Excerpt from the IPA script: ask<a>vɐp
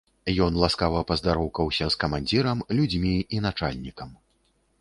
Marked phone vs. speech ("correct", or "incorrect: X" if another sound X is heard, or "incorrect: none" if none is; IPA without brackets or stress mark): correct